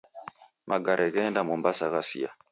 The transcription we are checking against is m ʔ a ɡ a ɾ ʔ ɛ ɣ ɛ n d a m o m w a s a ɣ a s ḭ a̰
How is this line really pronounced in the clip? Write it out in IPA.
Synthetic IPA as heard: m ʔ a ɡ a ɾ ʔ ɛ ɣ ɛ n d a m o m b a s a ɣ a s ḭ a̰